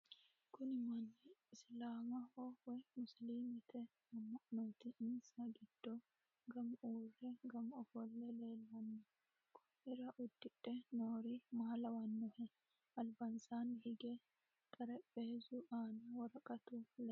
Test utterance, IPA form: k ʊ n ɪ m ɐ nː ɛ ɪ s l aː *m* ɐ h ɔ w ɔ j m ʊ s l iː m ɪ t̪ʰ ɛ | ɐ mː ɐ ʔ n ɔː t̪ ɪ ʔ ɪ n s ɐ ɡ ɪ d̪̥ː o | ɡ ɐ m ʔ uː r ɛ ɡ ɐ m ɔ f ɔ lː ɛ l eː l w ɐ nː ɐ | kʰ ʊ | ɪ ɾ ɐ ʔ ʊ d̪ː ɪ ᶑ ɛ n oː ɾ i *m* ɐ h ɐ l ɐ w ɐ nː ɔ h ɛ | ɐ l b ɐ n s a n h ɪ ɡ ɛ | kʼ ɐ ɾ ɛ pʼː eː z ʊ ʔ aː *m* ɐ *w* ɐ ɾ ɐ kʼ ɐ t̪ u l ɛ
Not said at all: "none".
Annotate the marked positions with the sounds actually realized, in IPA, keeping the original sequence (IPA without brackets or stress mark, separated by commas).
m, m, n, w